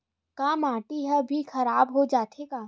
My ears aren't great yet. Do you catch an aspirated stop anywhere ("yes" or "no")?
no